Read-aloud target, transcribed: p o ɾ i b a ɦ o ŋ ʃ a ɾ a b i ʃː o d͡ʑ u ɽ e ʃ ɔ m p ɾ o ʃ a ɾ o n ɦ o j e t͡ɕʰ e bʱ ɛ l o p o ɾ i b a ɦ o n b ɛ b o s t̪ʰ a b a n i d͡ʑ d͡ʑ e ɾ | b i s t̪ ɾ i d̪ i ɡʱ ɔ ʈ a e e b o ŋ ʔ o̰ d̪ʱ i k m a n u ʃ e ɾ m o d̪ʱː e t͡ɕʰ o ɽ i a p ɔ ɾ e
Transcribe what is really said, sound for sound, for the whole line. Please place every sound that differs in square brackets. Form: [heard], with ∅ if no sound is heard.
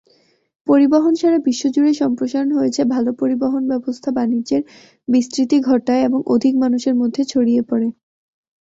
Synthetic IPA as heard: p o ɾ i b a ɦ o [n] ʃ a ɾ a b i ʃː o d͡ʑ u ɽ e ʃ ɔ m p ɾ o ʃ a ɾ o n ɦ o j e t͡ɕʰ e bʱ [a] l o p o ɾ i b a ɦ o n b ɛ b o s t̪ʰ a b a n i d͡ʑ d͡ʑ e ɾ | b i s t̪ ɾ i [t̪] i ɡʱ ɔ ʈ a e e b o ŋ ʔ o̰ d̪ʱ i k m a n u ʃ e ɾ m o d̪ʱː e t͡ɕʰ o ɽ i [e] p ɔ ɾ e